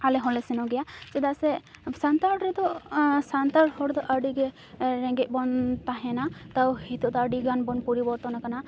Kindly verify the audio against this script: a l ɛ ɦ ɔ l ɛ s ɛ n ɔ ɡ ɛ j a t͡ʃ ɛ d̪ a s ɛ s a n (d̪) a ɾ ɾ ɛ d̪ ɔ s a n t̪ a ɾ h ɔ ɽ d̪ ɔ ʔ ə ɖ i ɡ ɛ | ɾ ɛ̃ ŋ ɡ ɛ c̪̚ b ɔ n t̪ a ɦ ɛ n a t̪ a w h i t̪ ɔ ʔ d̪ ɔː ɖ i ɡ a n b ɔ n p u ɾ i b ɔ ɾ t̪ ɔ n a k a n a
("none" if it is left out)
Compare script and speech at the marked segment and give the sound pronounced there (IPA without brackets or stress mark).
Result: t̪